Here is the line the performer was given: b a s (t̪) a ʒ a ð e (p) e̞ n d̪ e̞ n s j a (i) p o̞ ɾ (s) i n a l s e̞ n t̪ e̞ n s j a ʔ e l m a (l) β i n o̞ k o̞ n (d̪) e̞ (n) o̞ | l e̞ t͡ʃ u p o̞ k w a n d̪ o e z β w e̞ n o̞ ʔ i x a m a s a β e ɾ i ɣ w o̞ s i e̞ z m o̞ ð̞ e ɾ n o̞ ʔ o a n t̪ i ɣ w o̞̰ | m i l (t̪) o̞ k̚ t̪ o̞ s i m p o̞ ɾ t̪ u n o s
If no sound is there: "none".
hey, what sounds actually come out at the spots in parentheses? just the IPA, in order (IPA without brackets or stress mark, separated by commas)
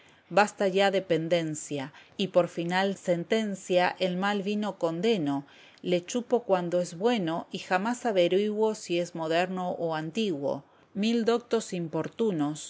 t̪, p, i, f, l, d̪, n, d̪